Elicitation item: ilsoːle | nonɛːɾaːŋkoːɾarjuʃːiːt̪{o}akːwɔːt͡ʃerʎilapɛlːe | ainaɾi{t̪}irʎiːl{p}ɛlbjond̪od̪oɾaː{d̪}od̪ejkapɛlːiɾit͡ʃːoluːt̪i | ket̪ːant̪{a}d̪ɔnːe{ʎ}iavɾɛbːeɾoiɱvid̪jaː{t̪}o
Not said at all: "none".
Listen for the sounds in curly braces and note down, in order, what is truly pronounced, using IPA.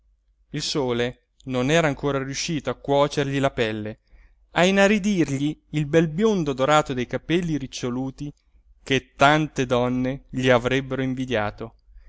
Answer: o, d̪, b, t̪, e, ʎ, t̪

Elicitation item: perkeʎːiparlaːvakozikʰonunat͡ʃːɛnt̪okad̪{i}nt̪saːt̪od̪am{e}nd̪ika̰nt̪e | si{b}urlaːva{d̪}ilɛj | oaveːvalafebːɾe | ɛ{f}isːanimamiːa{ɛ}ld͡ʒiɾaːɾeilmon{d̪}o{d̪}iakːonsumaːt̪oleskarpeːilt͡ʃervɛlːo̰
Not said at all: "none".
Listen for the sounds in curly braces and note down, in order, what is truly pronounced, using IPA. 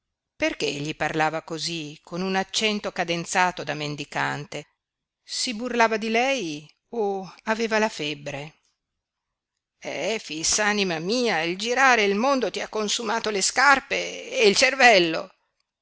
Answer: e, e, b, d̪, f, i, d̪, t̪

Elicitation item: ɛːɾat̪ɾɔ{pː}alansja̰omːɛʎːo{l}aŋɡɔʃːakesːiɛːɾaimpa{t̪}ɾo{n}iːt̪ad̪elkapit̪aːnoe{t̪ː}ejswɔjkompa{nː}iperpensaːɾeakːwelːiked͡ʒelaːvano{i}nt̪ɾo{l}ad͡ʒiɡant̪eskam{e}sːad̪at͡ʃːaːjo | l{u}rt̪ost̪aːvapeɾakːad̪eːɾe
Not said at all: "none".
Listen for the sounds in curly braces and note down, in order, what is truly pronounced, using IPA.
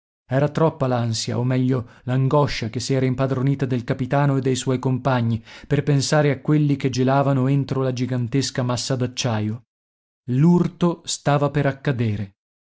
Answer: pː, l, d̪, n, d̪ː, ɲː, e, l, a, u

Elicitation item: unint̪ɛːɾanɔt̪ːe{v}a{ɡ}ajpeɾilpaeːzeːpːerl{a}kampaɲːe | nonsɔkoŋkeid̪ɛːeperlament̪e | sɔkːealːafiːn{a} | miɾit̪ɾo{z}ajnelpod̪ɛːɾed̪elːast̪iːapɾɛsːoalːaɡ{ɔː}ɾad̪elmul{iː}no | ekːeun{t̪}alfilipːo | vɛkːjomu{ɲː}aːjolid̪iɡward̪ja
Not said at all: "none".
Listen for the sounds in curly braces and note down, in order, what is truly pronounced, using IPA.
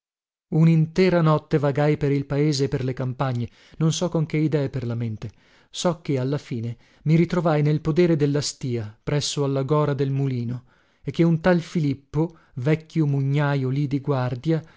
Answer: v, ɡ, e, e, v, ɔː, iː, t̪, ɲː

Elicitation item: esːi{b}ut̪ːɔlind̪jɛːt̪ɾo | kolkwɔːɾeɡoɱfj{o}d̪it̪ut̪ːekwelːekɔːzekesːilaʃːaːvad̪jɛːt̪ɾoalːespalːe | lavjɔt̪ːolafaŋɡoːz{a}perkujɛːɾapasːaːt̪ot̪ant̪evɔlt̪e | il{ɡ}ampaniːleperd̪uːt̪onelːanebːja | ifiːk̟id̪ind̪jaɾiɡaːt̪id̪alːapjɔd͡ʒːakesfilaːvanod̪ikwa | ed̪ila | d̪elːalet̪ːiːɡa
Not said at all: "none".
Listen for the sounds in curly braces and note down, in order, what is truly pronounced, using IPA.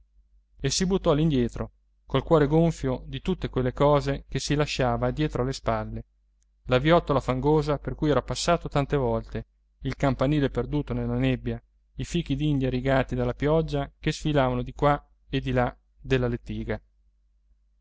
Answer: b, o, a, k

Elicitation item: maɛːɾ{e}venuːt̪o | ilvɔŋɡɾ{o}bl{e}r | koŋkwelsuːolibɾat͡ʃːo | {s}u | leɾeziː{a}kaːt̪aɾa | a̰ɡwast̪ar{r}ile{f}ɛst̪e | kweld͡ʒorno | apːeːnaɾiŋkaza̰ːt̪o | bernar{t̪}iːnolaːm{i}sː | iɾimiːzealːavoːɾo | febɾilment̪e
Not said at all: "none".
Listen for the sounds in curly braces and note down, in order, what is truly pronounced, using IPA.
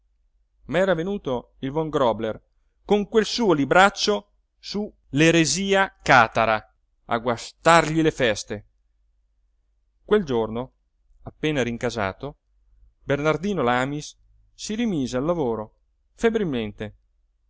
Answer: a, ɔ, e, s, a, ʎ, f, d̪, i

